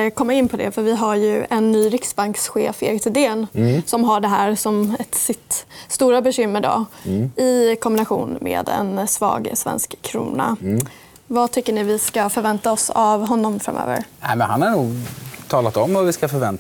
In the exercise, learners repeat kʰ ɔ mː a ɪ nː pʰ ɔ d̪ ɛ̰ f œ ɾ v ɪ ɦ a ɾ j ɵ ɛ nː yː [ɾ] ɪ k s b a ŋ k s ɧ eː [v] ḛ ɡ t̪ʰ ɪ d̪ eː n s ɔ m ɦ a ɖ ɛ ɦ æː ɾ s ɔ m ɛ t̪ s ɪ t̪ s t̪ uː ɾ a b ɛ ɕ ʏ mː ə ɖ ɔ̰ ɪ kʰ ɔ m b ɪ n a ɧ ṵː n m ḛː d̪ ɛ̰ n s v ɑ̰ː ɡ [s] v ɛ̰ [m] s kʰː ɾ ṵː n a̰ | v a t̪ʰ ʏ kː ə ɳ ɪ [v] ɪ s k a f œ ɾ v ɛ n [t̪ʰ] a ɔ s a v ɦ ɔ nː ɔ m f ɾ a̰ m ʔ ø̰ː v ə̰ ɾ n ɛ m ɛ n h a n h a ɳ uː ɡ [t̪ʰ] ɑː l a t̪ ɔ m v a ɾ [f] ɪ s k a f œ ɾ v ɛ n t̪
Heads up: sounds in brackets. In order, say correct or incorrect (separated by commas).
correct, incorrect, correct, incorrect, correct, incorrect, correct, incorrect